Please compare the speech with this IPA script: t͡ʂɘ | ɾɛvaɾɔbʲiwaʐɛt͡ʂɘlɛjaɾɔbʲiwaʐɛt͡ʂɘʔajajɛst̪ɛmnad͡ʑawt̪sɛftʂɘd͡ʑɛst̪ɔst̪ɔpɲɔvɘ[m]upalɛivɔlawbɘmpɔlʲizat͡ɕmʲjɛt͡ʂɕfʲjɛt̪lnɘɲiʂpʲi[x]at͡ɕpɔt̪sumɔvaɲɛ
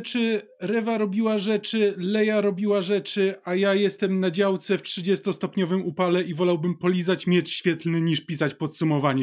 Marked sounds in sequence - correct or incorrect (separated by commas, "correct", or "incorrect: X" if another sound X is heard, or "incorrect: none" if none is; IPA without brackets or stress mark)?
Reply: correct, incorrect: s